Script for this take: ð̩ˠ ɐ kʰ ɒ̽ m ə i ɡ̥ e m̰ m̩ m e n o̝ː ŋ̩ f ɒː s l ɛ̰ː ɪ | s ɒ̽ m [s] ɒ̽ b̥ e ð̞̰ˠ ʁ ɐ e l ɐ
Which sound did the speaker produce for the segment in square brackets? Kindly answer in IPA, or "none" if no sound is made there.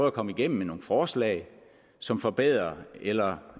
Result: f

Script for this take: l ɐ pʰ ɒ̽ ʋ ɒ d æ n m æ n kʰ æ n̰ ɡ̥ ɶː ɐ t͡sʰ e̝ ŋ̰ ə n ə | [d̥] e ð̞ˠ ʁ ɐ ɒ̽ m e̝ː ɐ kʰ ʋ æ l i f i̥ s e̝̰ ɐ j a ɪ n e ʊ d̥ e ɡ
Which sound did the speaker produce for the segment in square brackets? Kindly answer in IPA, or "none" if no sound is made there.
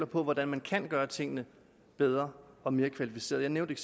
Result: b̥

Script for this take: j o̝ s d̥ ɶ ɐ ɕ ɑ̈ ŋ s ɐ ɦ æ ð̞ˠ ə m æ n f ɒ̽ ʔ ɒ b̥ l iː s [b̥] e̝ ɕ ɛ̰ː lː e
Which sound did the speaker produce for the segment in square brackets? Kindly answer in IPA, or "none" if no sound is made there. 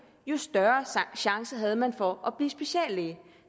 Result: b̥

